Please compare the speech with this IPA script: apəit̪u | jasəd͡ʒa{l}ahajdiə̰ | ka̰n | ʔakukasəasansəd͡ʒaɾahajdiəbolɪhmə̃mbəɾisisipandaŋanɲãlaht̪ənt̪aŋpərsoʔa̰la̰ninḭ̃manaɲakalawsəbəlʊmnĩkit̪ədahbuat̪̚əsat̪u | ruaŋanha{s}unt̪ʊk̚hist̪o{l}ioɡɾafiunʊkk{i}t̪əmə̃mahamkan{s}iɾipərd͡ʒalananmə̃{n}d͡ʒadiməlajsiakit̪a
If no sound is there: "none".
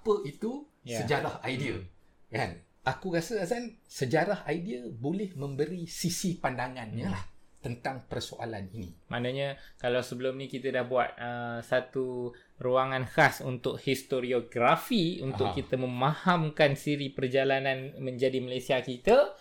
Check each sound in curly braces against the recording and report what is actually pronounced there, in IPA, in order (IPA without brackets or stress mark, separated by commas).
ɾ, s, ɾ, i, s, ɲ